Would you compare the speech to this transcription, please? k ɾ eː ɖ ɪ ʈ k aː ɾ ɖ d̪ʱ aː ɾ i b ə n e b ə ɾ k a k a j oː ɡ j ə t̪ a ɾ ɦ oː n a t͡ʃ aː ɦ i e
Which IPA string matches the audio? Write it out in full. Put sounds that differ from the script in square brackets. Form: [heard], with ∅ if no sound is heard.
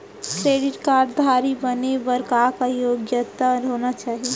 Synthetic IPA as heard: k ɾ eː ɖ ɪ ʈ k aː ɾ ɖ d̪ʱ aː ɾ i b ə n e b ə ɾ k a k a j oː ɡ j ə t̪ a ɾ ɦ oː n a t͡ʃ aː ɦ i e